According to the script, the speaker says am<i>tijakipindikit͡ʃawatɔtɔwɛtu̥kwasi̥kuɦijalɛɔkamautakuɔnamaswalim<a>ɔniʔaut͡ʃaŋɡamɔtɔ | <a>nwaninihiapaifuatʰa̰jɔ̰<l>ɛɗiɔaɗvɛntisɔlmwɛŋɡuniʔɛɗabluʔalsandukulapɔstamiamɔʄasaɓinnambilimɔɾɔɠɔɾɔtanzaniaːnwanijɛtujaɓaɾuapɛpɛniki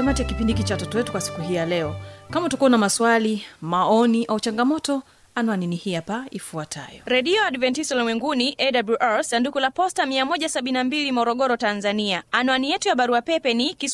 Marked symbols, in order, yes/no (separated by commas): no, yes, yes, no